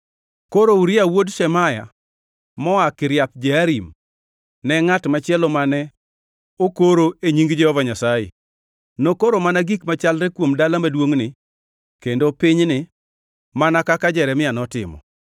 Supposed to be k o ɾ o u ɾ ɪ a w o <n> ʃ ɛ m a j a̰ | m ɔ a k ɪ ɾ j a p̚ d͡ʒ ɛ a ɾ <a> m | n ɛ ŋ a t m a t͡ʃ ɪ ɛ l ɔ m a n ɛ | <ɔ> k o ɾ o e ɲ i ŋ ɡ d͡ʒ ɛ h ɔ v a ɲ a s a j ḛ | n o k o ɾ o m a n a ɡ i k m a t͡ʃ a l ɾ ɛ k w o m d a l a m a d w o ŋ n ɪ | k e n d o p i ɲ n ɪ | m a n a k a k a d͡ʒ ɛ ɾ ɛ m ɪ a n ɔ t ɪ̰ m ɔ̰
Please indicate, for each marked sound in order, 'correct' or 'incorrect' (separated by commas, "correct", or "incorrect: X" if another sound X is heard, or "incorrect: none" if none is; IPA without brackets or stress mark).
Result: incorrect: d, incorrect: i, incorrect: o